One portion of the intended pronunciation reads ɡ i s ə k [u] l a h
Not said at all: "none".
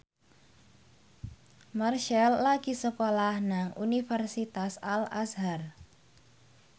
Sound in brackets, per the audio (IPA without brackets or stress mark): o